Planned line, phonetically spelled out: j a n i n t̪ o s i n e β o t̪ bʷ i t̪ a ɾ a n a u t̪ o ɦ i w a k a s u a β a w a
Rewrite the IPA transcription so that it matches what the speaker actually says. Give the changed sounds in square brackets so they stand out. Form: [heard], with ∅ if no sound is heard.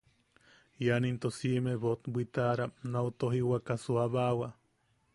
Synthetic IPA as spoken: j a n i n t̪ o s i [m] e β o t̪ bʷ i t̪ a ɾ a n a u t̪ o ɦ i w a k a s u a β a w a